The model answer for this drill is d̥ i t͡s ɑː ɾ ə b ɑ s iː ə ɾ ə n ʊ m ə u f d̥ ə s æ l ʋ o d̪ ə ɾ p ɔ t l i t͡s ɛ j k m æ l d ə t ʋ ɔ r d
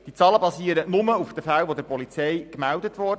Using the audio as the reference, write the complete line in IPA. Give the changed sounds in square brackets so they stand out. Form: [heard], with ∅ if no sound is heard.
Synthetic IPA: d̥ i t͡s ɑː [l] ə b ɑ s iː ə ɾ ə n ʊ m ə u f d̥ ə [f] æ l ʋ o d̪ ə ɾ p ɔ [∅] l i t͡s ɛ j k m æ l d ə t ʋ ɔ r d